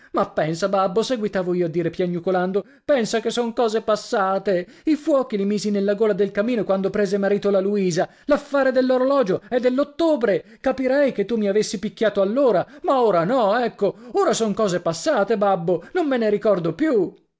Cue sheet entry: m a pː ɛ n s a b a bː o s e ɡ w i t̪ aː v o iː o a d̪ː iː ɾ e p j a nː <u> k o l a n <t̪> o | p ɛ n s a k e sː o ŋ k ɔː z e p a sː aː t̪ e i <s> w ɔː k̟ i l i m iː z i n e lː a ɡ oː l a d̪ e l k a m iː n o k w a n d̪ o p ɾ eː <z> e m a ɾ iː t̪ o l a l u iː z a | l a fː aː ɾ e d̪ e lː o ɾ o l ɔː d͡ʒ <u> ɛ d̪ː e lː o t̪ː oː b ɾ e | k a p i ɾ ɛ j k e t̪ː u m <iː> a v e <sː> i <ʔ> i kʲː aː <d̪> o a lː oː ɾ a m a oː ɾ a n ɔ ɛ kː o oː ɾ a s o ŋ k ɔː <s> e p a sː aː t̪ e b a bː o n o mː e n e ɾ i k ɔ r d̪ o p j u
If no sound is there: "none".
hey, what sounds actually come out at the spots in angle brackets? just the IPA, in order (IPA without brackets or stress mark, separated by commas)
u, d̪, f, z, o, i, sː, p, t̪, z